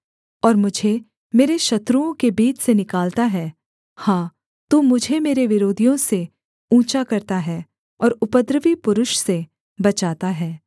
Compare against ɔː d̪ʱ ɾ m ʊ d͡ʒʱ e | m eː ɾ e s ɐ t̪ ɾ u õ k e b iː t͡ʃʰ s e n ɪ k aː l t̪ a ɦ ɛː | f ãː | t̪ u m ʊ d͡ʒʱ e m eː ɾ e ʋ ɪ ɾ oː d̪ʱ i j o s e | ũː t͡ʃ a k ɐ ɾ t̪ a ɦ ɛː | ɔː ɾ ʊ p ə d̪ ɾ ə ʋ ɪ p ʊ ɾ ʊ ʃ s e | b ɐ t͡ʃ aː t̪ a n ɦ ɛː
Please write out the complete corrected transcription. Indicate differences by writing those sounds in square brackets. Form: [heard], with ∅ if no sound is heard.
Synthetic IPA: ɔː [∅] ɾ m ʊ d͡ʒʱ e | m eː ɾ e [ʃ] ɐ t̪ ɾ u õ k e b iː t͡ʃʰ s e n ɪ k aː l t̪ a ɦ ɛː | [h] ãː | t̪ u m ʊ d͡ʒʱ e m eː ɾ e ʋ ɪ ɾ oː d̪ʱ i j [õ] s e | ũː t͡ʃ a k ɐ ɾ t̪ a ɦ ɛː | ɔː ɾ ʊ p ə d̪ ɾ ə ʋ [i] p ʊ ɾ ʊ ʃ s e | b ɐ t͡ʃ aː t̪ a [∅] ɦ ɛː